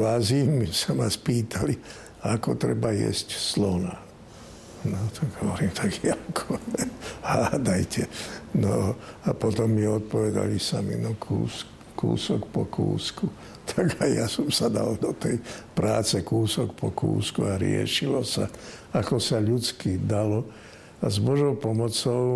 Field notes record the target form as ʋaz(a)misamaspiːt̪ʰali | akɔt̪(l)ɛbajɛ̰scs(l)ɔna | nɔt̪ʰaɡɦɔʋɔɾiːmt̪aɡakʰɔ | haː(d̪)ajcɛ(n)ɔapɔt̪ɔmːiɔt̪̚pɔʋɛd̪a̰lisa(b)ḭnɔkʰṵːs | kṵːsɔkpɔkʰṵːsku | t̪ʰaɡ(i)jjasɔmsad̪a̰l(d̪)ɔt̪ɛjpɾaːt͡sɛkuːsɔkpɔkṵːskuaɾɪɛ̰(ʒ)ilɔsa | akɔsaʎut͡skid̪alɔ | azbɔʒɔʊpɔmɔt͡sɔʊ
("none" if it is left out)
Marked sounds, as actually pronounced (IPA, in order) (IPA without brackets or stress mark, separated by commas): i, ɾ, l, d̪, n, m, a, d̪, ʃ